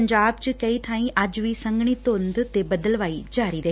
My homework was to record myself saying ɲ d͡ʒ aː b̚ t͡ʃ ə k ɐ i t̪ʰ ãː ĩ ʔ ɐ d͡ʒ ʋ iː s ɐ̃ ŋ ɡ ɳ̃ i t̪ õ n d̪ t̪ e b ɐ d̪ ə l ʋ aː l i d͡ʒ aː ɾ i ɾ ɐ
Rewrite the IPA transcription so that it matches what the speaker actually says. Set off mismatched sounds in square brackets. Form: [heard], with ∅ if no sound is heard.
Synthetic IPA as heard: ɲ d͡ʒ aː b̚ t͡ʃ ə k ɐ i t̪ʰ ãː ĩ ʔ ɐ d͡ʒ ʋ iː s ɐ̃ ŋ ɡ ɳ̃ i t̪ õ n d̪ t̪ e b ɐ d̪ ə l ʋ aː [∅] i d͡ʒ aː ɾ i ɾ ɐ